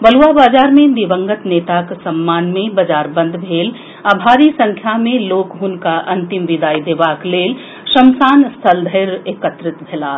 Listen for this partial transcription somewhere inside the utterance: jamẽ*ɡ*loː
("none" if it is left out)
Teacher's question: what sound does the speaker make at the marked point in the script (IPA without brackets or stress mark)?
none